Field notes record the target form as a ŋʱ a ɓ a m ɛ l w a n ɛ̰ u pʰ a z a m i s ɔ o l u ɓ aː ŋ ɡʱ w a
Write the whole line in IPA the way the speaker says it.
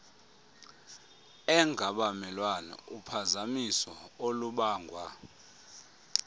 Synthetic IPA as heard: ɛ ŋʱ a ɓ a m ɛ l w a n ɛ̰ u pʰ a z a m i s ɔ o l u ɓ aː ŋ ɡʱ w a